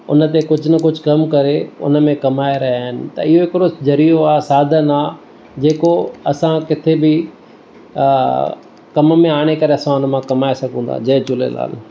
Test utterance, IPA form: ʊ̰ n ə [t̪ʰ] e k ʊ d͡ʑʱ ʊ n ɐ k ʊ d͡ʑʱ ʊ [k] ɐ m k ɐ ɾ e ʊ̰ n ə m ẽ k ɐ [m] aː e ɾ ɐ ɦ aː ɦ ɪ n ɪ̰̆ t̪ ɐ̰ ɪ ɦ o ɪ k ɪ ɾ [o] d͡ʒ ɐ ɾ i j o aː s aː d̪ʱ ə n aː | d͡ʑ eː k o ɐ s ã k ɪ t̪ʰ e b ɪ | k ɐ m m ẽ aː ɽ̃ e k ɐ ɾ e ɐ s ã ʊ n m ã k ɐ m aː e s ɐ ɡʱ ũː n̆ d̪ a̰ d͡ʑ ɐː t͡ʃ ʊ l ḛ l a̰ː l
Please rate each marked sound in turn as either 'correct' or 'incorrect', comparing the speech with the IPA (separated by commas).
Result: incorrect, correct, correct, correct